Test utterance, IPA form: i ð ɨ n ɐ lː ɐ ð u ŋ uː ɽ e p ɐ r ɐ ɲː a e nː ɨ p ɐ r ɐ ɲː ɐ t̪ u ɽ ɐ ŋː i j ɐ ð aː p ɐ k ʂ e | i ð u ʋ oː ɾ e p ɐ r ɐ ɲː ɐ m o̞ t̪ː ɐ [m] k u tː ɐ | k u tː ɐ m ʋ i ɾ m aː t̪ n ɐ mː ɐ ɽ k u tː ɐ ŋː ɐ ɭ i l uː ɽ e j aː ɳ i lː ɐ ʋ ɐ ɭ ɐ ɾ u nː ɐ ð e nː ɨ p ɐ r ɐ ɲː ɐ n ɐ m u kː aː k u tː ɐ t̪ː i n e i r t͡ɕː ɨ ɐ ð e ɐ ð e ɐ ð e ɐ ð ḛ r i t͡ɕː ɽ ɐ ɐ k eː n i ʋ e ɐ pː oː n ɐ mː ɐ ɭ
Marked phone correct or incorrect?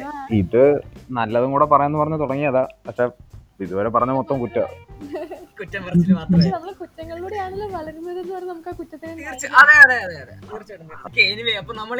correct